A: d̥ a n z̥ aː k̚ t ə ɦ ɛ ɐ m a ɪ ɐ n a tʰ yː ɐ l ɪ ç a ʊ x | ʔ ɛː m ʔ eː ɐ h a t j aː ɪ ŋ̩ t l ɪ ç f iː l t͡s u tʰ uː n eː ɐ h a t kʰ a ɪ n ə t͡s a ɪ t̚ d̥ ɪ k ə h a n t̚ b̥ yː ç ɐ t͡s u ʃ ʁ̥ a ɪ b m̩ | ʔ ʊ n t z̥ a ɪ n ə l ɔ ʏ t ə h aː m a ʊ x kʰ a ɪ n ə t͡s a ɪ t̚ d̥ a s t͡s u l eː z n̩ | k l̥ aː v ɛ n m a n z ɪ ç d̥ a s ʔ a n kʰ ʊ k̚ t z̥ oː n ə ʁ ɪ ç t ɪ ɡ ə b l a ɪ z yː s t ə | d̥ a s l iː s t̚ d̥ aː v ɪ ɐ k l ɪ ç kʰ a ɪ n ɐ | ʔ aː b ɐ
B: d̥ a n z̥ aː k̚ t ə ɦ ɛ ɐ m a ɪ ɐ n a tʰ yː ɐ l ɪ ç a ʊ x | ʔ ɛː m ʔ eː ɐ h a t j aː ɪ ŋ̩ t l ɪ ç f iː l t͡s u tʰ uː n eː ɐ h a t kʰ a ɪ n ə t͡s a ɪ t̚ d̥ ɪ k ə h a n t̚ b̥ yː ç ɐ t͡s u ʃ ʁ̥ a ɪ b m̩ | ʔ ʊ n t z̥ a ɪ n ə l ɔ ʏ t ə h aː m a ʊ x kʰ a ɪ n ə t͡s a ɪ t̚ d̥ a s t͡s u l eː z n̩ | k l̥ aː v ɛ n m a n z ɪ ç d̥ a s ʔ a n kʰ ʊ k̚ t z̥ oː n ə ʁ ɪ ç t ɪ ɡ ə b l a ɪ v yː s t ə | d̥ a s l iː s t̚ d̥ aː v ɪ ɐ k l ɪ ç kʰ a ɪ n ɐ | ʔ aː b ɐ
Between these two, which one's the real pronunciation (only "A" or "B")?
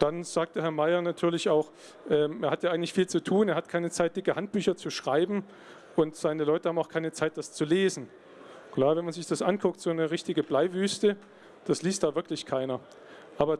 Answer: B